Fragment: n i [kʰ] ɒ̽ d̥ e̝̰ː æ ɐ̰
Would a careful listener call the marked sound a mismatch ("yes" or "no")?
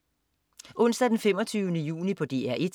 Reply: yes